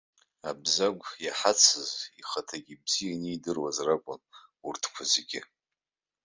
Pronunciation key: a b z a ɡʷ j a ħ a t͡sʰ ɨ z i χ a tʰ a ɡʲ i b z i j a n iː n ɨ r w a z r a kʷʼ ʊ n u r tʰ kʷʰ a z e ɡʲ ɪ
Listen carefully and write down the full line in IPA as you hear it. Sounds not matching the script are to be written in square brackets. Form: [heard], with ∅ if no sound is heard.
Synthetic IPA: a b z a ɡʷ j a ħ a t͡sʰ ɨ z i χ a tʰ a ɡʲ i b z i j a n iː [d] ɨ r w a z r a kʷʼ ʊ n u r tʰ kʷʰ a z e ɡʲ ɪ